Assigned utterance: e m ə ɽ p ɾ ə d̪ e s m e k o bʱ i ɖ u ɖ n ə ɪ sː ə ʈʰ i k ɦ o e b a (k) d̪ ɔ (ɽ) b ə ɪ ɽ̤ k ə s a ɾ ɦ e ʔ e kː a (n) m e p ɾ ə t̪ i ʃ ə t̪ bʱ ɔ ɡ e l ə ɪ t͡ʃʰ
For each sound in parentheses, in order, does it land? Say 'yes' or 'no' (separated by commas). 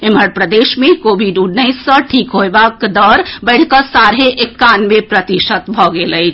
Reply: yes, no, yes